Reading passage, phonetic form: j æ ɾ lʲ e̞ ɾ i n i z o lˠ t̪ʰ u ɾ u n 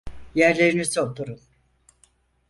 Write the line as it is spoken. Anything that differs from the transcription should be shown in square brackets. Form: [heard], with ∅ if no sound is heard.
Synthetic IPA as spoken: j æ ɾ lʲ e̞ ɾ i n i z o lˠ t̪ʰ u ɾ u n